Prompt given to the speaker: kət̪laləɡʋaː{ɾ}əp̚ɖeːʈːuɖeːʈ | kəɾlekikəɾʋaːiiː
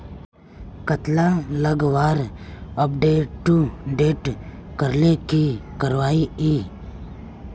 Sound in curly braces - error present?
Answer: no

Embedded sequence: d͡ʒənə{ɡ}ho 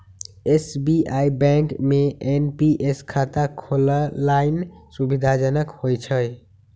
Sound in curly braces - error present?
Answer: yes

